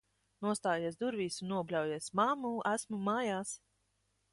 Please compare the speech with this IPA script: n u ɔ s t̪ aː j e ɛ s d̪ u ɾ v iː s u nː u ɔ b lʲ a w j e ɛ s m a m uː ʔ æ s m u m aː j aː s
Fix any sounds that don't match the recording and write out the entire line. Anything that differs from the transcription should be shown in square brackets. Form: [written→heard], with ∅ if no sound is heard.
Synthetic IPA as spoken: n u ɔ s t̪ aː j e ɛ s d̪ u ɾ v iː s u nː u ɔ b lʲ a w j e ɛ s m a m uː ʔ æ s m u m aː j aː s